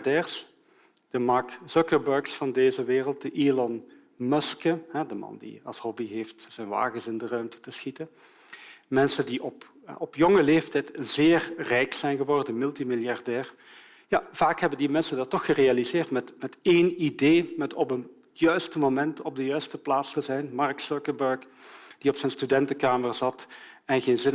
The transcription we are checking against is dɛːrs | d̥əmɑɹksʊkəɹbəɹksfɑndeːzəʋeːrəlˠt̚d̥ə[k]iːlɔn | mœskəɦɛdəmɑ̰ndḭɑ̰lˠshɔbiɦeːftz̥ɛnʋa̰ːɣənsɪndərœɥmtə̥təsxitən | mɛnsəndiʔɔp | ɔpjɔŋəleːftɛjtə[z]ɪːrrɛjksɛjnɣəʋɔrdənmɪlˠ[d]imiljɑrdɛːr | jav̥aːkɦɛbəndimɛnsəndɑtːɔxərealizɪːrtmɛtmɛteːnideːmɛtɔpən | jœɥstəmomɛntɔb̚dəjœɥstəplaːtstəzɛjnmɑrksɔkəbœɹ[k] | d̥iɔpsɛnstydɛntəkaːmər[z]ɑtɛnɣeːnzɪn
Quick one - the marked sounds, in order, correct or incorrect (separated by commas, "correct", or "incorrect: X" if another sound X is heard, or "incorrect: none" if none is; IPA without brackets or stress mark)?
incorrect: ʔ, correct, incorrect: t, correct, correct